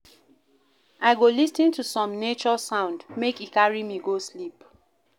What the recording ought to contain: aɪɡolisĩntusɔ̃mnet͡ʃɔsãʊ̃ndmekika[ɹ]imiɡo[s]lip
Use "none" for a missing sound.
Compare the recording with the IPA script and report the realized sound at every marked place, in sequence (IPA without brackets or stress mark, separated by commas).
ɹ, s